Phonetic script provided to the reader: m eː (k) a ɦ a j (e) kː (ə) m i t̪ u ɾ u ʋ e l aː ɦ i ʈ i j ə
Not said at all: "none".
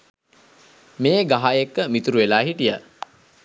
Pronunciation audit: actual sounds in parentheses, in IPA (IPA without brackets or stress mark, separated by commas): ɡ, e, ə